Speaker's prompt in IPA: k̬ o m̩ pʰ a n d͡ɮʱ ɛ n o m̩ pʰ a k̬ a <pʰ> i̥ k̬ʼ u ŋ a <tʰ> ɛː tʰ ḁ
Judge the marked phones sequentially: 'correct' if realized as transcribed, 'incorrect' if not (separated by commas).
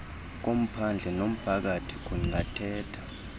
incorrect, correct